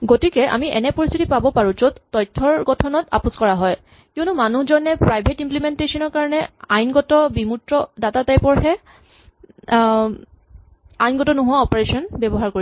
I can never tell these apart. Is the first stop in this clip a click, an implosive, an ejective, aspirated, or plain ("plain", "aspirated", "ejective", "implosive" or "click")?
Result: plain